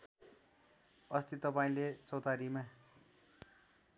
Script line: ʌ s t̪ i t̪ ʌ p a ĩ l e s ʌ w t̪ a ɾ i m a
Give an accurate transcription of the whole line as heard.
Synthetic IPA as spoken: ʌ s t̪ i t̪ ʌ p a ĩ l e t͡s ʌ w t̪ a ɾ i m a